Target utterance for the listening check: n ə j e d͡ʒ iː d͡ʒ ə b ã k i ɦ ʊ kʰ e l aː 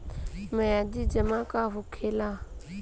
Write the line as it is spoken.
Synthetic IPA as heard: m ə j a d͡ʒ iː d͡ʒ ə m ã k a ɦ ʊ kʰ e l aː